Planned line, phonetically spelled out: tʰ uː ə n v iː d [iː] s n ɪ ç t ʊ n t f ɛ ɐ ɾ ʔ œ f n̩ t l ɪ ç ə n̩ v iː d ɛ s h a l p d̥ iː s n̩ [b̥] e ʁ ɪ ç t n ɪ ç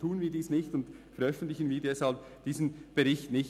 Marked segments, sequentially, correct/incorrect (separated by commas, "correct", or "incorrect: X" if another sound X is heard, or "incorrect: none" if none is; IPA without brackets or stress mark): correct, correct